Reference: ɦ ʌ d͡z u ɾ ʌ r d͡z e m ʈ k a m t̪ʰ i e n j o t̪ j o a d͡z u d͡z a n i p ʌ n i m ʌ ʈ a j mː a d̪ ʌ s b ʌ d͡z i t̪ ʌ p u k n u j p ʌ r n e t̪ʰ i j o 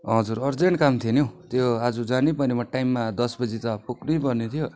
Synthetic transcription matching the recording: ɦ ʌ d͡z u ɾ ʌ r d͡z e ɳ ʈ k a m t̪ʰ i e n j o t̪ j o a d͡z u d͡z a n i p ʌ n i m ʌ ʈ a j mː a d̪ ʌ s b ʌ d͡z i t̪ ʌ p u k n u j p ʌ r n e t̪ʰ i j o